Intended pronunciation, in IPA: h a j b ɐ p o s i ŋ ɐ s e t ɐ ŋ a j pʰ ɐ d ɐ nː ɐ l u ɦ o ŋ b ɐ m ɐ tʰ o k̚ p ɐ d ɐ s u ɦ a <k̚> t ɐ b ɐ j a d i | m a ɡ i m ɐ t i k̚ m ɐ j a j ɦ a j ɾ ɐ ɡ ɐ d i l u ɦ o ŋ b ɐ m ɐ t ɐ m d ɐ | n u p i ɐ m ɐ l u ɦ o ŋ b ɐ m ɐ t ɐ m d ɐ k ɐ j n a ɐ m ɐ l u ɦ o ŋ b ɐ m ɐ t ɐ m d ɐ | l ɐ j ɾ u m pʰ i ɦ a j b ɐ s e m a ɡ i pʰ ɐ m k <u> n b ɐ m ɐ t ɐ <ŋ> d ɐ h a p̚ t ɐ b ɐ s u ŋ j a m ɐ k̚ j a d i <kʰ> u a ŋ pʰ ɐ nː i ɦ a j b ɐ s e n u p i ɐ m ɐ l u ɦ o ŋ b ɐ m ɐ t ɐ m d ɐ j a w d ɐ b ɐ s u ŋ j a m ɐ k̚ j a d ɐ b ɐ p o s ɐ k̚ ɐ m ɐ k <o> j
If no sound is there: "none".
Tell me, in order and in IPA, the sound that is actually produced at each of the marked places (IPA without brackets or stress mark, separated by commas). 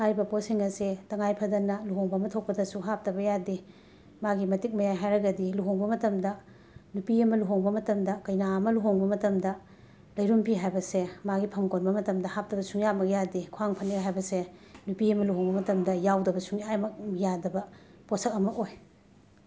p̚, o, m, kʰ, o